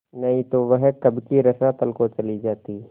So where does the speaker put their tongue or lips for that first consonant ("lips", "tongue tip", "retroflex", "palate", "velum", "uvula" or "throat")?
tongue tip